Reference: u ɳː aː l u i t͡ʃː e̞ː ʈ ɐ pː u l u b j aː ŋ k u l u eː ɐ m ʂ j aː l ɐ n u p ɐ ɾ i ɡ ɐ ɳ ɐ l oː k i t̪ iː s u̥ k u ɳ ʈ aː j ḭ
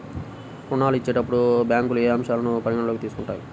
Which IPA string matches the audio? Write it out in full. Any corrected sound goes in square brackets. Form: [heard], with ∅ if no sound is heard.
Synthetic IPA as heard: u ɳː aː l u i t͡ʃː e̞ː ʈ ɐ pː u [ɽ] u b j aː ŋ k u l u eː ɐ m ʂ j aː l ɐ n u p ɐ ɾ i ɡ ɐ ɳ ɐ l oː k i t̪ iː s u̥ k u ɳ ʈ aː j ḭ